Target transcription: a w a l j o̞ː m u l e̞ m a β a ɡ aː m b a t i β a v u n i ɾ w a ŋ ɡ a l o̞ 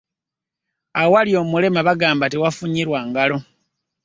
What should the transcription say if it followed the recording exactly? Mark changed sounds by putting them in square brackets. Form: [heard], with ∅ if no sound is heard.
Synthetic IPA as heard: a w a l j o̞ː m u l e̞ m a β a ɡ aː m b a t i [w] a [f] u [ɲ] i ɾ w a ŋ ɡ a l o̞